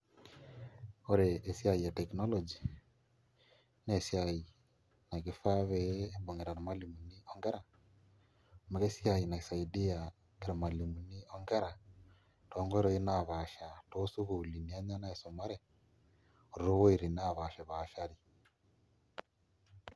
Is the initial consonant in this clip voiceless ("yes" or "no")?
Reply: no